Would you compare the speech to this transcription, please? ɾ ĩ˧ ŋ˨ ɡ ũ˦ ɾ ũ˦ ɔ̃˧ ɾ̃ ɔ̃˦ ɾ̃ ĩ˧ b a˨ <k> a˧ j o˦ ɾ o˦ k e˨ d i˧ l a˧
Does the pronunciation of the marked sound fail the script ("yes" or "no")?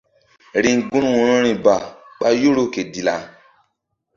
yes